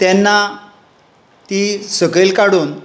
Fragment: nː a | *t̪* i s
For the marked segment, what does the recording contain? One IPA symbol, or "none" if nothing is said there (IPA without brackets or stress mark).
t̪